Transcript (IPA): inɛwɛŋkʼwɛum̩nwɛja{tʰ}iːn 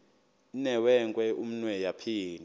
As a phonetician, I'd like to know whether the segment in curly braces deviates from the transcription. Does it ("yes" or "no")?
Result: yes